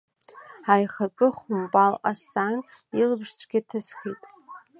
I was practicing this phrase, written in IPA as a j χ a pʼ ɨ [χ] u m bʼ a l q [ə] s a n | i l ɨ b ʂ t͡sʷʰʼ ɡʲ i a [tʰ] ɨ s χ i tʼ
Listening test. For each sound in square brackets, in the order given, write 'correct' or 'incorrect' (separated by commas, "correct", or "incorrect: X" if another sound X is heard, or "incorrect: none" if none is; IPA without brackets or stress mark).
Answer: correct, incorrect: a, correct